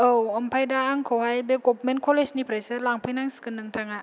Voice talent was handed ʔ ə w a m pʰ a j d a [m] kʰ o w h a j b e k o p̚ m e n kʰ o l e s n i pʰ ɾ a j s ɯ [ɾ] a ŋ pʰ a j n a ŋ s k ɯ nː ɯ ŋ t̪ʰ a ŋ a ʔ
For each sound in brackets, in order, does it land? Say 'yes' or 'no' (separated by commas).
no, no